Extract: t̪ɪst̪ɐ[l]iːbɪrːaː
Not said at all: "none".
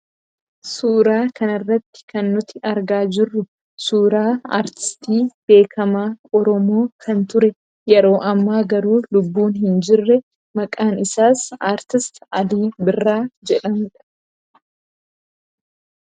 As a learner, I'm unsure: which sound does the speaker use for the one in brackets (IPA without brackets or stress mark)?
l